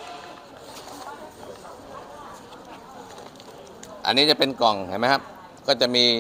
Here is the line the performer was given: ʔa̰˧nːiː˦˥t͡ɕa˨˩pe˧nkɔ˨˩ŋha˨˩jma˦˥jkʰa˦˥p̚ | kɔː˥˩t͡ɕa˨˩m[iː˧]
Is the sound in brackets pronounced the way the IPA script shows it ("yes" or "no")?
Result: yes